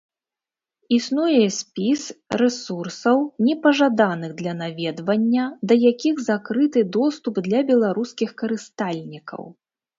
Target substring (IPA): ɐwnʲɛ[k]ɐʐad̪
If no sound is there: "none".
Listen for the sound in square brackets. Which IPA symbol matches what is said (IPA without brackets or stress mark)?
p